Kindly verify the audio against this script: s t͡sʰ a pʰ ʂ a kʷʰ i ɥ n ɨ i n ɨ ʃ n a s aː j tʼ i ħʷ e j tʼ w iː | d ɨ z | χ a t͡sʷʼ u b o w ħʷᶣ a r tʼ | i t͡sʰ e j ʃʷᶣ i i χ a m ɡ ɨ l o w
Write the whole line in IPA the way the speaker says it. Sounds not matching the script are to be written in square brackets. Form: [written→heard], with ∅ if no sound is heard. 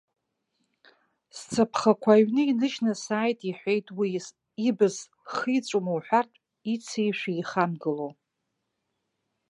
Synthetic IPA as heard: s t͡sʰ a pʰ [ʂ→χ] a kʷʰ [i→a] ɥ n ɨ i n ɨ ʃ n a s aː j tʼ i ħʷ e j tʼ w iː | [d→b] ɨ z | χ [a→i] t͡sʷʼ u [b→m] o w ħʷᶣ a r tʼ | i t͡sʰ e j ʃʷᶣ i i χ a m ɡ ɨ l o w